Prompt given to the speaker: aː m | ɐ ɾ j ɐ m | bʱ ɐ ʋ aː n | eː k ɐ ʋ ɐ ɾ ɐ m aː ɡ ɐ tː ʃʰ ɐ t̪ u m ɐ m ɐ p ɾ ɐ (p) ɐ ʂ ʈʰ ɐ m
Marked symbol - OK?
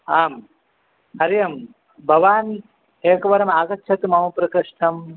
no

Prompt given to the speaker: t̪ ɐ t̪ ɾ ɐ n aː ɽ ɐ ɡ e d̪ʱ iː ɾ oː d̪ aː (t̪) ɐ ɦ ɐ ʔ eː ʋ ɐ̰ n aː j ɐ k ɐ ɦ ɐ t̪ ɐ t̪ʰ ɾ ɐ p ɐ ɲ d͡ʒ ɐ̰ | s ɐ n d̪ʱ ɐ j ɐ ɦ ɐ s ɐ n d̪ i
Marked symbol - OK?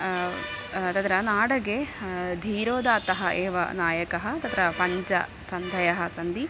yes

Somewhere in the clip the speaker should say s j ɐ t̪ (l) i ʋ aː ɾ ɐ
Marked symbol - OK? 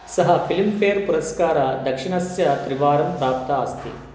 no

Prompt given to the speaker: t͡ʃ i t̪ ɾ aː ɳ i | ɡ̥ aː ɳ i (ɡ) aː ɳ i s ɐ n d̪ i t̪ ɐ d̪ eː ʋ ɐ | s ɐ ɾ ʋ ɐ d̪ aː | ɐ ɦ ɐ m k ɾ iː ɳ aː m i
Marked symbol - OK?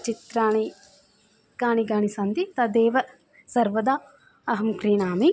yes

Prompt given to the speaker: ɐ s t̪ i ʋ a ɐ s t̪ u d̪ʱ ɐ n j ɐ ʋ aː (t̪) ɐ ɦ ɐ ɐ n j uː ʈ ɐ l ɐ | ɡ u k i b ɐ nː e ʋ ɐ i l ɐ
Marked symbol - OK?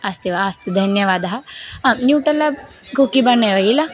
no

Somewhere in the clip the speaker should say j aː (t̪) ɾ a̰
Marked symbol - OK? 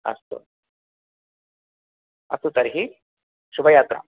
yes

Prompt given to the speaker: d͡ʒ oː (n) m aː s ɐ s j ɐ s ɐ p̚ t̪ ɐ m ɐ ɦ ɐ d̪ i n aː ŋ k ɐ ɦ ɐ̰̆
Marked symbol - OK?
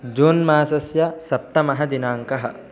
yes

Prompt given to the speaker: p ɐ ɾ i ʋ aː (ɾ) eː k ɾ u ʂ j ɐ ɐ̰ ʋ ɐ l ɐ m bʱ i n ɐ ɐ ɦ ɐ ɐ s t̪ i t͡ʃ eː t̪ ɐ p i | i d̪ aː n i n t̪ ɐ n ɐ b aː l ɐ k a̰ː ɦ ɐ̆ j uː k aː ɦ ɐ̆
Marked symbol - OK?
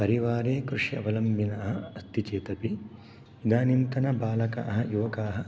yes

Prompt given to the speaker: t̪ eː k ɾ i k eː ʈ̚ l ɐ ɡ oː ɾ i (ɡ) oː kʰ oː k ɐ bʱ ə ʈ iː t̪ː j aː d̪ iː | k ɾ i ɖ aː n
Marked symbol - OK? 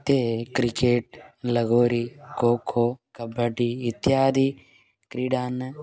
no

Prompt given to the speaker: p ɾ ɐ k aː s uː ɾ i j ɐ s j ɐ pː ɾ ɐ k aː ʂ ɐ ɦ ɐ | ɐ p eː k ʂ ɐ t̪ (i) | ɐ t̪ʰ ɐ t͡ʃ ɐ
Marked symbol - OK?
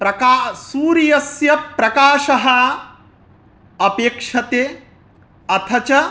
no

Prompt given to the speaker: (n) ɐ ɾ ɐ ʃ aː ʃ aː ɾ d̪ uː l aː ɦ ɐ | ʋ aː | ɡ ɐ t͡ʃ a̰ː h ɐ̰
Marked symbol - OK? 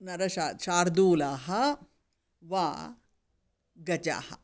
yes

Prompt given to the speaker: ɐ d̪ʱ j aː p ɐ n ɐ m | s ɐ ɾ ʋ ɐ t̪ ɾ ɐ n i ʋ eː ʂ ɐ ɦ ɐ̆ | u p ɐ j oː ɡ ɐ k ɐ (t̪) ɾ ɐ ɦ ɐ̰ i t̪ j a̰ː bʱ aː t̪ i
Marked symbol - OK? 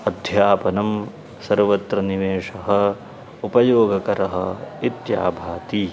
no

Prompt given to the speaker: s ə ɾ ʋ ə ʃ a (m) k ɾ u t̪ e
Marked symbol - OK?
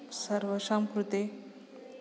yes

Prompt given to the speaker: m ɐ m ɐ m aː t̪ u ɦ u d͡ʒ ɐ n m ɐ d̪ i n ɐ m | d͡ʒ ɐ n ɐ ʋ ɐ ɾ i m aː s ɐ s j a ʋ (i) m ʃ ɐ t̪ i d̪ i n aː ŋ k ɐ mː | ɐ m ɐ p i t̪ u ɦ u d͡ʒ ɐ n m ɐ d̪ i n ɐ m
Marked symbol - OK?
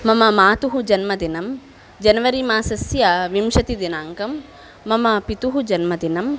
yes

